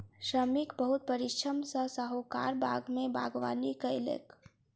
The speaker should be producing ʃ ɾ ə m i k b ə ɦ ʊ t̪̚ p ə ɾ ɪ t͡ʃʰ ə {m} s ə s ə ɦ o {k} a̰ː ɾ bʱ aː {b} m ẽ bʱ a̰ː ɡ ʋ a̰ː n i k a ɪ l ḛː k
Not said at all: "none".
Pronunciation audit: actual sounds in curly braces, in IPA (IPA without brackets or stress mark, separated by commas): m, k, ɡ